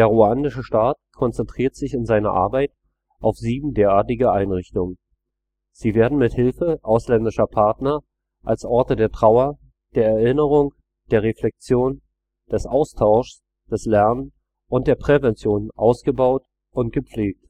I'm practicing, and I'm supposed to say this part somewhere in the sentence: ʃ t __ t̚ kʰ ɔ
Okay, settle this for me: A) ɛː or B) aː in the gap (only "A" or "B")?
B